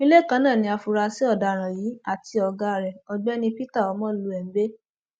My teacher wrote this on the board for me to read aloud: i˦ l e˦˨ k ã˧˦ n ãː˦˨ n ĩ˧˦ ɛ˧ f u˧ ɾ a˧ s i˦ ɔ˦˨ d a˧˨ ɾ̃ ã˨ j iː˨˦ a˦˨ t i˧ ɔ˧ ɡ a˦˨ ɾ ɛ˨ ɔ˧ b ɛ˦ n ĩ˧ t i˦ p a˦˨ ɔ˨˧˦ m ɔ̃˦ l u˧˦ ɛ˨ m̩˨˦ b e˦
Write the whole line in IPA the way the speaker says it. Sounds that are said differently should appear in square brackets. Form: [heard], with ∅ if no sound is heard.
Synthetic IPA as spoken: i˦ l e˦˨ k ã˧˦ n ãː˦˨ n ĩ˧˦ [a˧] f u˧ ɾ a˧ s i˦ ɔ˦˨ d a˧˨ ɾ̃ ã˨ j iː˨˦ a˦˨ t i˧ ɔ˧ ɡ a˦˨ ɾ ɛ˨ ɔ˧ [ɡ͡b] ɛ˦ n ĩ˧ [p] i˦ [t] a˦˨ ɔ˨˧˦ m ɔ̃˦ l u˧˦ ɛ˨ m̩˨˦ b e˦